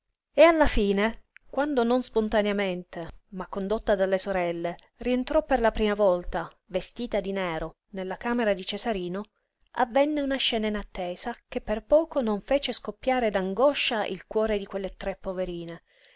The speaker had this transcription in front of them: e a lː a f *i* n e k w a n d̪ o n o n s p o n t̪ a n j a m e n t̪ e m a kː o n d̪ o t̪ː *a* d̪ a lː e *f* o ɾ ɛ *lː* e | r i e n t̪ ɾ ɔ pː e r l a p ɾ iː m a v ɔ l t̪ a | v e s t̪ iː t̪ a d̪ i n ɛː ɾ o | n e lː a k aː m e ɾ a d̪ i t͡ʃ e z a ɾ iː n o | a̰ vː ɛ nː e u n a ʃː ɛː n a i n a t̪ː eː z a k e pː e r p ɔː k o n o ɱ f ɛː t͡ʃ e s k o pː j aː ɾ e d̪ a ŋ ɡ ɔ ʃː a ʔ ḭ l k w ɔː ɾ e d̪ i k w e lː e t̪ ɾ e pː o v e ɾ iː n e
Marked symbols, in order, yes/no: no, yes, no, yes

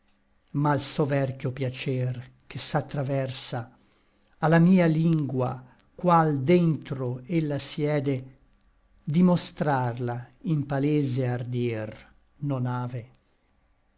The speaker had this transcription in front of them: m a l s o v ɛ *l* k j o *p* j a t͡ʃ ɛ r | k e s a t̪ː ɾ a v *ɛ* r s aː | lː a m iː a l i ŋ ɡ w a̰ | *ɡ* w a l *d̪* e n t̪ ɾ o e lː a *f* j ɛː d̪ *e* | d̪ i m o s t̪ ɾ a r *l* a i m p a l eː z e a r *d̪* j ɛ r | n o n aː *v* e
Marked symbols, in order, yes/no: no, yes, yes, no, yes, no, yes, yes, yes, yes

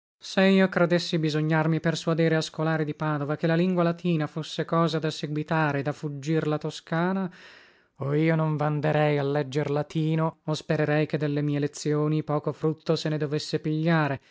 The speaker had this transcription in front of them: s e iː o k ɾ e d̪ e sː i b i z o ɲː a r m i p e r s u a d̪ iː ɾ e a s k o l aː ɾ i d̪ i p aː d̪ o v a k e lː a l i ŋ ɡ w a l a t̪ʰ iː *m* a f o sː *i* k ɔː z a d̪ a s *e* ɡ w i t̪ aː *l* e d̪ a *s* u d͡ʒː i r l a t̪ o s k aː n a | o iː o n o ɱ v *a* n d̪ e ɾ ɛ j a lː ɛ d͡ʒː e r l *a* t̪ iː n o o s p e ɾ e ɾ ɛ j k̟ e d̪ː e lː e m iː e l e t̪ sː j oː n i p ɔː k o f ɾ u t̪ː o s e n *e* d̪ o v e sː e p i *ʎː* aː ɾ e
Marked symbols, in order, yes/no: no, no, yes, no, no, yes, yes, yes, yes

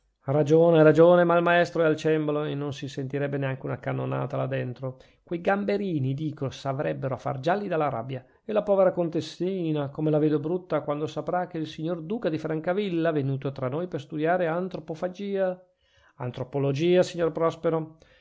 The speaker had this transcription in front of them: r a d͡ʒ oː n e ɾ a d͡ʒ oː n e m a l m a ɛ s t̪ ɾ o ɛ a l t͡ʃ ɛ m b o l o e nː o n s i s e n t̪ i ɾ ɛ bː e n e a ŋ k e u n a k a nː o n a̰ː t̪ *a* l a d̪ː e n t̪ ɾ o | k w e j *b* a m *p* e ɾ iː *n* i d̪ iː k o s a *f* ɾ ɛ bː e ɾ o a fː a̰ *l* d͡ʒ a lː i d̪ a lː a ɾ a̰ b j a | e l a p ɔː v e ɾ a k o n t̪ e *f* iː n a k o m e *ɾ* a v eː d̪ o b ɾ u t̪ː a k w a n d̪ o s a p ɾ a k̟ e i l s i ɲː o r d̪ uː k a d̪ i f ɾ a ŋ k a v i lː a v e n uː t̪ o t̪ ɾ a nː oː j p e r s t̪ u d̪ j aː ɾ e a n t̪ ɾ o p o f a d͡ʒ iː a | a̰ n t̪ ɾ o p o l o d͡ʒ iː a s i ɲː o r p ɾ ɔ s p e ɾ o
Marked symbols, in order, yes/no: yes, no, no, yes, no, no, no, no

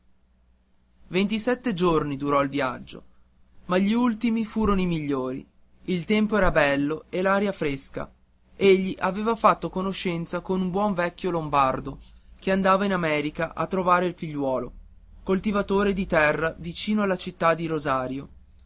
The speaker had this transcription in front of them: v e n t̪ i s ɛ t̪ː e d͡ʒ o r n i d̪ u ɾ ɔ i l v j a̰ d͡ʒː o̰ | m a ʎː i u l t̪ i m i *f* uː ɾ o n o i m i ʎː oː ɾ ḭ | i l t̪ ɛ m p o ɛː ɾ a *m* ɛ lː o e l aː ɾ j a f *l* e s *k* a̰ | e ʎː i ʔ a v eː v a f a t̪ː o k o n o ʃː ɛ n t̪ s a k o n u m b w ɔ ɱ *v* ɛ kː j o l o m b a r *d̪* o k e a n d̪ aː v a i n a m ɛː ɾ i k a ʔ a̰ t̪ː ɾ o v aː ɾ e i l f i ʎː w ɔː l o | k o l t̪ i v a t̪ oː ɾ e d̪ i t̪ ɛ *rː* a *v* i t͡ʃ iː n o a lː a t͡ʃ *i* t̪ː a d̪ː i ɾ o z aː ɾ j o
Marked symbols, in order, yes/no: yes, no, no, yes, yes, yes, yes, yes, yes

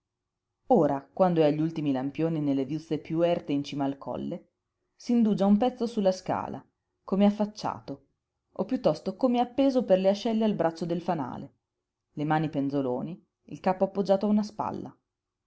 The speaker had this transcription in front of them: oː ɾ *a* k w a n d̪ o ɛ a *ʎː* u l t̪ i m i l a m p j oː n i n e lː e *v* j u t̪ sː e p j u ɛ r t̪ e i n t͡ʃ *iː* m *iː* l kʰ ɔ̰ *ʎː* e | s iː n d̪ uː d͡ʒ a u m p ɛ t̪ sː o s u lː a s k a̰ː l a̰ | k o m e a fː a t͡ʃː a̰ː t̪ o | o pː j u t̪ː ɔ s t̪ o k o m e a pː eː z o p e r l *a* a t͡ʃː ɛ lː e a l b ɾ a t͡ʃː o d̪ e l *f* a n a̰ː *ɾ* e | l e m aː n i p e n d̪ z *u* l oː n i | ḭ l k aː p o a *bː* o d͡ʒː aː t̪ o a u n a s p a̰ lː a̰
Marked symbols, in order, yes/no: yes, yes, yes, yes, no, no, no, yes, no, no, no

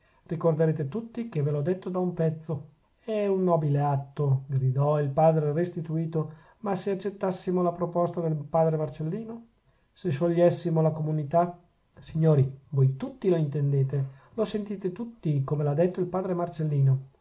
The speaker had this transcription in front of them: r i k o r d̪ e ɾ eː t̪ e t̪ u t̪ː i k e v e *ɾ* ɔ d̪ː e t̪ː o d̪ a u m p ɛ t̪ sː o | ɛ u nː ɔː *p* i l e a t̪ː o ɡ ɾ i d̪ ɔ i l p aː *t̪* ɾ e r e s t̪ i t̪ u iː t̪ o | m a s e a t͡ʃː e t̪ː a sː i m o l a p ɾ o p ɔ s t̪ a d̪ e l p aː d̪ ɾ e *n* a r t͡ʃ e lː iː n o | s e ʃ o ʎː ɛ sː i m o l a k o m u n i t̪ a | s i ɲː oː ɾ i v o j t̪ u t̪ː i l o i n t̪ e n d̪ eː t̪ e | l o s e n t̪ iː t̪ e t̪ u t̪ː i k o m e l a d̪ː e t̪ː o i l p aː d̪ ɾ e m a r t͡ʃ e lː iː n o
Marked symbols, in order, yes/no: no, no, no, no

